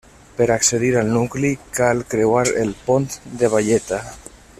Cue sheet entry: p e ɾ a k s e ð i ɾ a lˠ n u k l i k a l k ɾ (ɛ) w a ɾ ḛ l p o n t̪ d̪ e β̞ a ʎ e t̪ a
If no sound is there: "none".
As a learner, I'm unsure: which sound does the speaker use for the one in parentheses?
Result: e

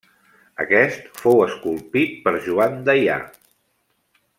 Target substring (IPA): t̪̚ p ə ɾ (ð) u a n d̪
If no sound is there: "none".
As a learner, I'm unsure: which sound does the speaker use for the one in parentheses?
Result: ʒ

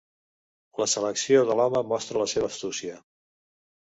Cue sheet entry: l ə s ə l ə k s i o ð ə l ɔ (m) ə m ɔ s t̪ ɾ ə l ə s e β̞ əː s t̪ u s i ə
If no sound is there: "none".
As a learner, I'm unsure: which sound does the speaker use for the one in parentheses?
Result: m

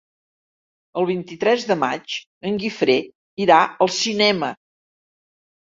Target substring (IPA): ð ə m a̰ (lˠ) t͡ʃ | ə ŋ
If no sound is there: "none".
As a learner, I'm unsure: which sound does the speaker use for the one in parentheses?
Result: none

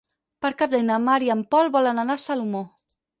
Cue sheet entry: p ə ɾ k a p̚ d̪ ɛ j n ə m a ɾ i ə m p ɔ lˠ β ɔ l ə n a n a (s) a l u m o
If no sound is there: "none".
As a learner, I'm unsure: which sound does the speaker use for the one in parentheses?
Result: s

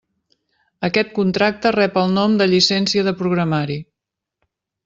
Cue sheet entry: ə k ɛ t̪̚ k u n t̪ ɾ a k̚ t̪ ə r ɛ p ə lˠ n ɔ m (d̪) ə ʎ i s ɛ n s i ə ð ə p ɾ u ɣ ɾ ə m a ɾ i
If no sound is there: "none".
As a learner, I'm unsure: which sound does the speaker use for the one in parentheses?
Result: d̪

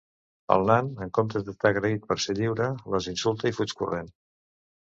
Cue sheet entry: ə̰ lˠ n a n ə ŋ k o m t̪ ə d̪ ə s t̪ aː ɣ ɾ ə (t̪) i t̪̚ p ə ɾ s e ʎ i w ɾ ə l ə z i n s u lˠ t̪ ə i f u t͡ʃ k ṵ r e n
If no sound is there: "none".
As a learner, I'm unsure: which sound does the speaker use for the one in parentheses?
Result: none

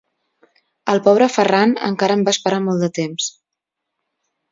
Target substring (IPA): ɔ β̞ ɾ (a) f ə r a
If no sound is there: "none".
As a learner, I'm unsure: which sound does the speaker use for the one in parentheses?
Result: ə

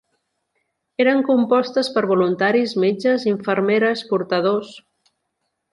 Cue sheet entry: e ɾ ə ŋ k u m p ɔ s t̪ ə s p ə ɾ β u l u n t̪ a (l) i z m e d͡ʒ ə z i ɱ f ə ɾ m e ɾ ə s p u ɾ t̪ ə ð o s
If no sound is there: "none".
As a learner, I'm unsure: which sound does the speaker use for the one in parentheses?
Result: ɾ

